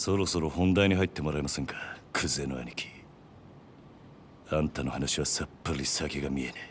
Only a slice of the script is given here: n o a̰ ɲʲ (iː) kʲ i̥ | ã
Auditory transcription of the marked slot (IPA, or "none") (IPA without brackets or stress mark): i